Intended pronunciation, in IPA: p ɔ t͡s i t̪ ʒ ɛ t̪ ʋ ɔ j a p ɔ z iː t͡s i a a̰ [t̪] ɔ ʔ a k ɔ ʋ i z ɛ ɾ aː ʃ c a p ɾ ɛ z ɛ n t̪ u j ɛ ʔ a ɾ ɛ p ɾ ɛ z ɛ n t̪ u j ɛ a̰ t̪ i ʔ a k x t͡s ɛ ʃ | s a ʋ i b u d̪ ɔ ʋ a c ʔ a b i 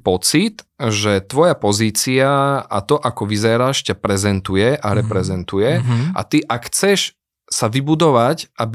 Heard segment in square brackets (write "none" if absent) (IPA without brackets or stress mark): t̪